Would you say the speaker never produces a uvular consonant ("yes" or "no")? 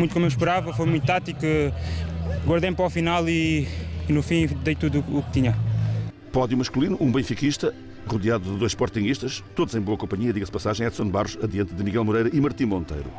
no